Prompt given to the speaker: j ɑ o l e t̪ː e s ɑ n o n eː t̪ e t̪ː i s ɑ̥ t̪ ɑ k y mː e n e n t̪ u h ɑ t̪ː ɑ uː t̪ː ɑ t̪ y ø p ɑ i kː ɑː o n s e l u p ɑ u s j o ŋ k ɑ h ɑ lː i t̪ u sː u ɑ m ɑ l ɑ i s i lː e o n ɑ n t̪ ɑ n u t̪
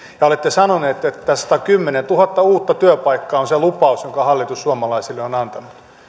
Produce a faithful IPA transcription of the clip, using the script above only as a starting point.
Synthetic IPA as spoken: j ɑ o l e t̪ː e s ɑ n o n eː t̪ e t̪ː æ s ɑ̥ t̪ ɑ k y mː e n e n t̪ u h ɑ t̪ː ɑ uː t̪ː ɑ t̪ y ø p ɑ i kː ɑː o n s e l u p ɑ u s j o ŋ k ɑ h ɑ lː i t̪ u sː u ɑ m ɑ l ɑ i s i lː e o n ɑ n t̪ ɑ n u t̪